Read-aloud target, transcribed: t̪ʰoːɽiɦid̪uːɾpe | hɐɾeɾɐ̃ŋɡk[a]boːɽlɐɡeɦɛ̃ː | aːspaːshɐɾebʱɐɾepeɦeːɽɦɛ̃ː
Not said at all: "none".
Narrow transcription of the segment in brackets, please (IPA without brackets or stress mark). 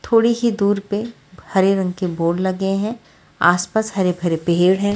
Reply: e